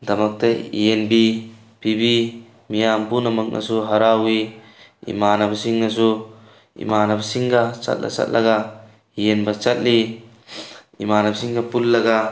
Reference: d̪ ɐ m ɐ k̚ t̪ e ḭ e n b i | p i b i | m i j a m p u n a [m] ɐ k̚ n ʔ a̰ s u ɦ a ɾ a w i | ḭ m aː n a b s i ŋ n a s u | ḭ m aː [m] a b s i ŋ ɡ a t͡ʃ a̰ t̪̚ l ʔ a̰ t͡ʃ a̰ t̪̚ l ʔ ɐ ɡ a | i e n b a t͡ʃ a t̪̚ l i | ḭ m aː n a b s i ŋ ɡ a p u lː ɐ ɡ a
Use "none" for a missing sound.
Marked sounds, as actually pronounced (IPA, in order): m, n

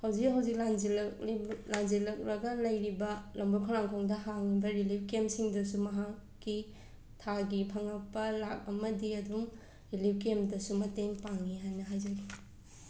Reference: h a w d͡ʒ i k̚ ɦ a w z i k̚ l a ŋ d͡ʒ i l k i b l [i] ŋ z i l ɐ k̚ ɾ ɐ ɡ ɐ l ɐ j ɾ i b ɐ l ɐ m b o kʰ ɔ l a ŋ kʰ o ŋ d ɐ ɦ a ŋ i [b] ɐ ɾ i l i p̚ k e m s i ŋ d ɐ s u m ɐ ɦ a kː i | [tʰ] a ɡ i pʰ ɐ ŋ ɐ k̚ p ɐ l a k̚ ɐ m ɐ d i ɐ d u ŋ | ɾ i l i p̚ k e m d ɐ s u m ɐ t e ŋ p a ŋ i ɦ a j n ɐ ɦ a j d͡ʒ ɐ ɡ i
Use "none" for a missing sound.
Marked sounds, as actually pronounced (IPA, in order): a, b, tʰ

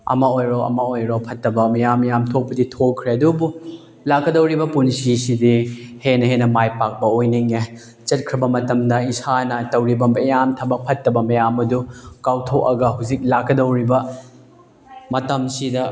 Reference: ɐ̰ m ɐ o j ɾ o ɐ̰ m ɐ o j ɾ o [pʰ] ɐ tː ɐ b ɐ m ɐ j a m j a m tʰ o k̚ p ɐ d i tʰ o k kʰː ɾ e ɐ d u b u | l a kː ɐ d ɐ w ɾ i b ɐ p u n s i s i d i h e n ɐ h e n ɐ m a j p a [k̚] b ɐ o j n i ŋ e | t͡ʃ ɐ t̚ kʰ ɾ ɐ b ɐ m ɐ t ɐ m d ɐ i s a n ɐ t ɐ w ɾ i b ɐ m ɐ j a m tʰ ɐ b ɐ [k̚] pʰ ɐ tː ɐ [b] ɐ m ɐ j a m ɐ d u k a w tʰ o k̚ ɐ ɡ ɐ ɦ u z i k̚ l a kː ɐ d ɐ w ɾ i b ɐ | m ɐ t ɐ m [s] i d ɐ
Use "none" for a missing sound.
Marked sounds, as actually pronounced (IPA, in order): pʰ, k̚, k̚, b, s

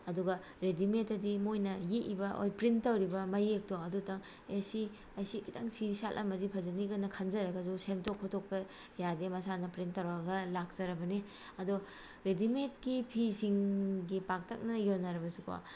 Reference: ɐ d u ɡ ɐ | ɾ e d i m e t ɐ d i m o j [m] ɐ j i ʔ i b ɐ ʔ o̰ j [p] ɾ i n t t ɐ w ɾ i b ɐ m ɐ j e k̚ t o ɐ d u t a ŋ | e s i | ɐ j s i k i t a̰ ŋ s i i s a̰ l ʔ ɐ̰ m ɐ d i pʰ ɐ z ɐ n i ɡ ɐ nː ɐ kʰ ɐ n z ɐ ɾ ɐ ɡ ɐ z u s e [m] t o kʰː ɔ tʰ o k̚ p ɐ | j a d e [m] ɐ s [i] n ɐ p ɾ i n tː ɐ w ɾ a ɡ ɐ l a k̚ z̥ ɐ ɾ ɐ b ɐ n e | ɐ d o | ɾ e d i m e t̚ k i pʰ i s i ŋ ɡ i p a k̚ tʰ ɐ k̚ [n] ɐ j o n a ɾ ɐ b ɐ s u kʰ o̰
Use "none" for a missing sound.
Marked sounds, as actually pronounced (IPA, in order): n, p, m, m, a, n

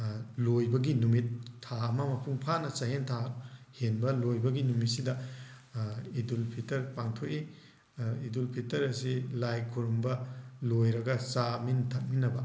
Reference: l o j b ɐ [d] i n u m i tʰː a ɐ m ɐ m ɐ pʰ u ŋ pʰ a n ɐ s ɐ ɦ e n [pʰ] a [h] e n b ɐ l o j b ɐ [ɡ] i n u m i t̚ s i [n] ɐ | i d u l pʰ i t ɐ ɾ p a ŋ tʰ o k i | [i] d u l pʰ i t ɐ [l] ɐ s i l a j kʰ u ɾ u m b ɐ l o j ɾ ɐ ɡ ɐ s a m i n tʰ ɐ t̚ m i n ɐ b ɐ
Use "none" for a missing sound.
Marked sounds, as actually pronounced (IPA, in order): ɡ, tʰ, h, ɡ, d, i, ɾ

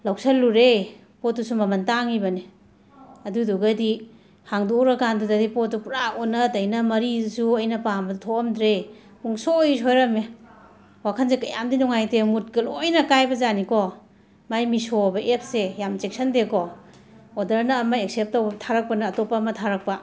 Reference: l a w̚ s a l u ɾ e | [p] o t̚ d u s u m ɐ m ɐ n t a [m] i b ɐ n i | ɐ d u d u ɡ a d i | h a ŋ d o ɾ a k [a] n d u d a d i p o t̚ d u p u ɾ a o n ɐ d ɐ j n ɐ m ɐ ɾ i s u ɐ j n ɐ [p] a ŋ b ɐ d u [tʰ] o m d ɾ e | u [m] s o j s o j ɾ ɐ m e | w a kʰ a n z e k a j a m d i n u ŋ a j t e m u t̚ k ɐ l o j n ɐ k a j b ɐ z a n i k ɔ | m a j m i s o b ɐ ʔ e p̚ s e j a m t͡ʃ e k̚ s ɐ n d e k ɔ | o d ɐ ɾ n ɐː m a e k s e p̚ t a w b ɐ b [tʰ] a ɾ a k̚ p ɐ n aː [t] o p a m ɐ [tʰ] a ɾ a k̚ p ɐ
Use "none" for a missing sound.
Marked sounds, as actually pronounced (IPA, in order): p, ŋ, a, p, tʰ, ŋ, tʰ, t, tʰ

